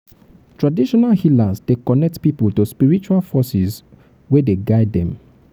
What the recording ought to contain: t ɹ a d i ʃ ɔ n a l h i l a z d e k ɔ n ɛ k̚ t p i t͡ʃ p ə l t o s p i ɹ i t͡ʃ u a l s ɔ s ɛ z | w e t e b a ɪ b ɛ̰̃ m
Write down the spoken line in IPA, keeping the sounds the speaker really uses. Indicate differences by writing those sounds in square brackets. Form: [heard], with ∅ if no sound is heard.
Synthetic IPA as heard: t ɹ a d i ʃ ɔ n a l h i l a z d e k ɔ n ɛ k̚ t p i [∅] p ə l t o s p i ɹ i t͡ʃ u a l [f] ɔ s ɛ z | w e [d] e [ɡ] a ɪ [d] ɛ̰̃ m